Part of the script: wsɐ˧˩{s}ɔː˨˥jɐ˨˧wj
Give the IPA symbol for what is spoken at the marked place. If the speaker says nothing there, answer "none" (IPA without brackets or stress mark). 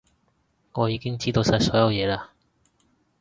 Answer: s